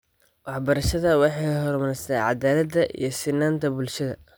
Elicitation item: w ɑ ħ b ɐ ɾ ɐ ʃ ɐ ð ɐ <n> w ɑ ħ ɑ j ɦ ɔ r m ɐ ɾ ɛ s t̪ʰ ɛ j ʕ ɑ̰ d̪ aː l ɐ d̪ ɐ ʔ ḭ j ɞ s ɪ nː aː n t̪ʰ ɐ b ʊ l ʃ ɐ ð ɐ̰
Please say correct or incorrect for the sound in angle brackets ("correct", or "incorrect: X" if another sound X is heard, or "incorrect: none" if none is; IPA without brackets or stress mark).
incorrect: none